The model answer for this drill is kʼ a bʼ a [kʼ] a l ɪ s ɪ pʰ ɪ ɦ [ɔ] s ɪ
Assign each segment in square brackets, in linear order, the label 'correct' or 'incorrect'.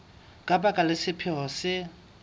correct, correct

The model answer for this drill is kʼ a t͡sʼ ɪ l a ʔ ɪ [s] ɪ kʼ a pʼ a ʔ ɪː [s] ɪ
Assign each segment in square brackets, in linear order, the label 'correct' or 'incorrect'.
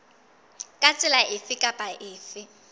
incorrect, incorrect

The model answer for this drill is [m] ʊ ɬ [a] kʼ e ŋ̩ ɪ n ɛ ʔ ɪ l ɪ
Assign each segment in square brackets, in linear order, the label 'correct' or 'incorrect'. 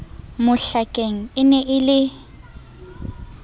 correct, correct

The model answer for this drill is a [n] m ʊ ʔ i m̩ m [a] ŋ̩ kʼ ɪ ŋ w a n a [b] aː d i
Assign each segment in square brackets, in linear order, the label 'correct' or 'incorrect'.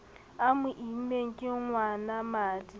incorrect, incorrect, incorrect

